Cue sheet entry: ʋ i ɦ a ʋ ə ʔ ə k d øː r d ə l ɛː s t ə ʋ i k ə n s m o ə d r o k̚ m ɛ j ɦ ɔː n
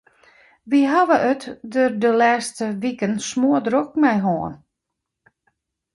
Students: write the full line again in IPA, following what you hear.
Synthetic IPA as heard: ʋ i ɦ a ʋ ə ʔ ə t d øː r d ə l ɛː s t ə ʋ i k ə n s m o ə d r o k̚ m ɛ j ɦ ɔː n